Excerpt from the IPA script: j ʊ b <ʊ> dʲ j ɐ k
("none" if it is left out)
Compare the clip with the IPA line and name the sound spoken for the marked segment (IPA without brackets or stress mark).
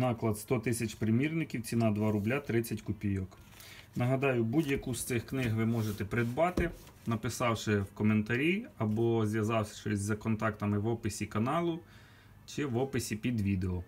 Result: u